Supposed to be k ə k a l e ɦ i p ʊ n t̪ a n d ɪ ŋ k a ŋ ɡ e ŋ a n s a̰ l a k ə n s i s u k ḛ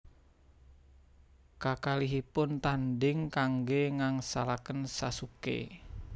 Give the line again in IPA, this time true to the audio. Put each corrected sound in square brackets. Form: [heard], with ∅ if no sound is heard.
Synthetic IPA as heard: k [a] k a l [i] ɦ i p ʊ n t̪ a n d ɪ ŋ k a ŋ ɡ e ŋ a [ŋ] s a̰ l a k ə n s [a] s u k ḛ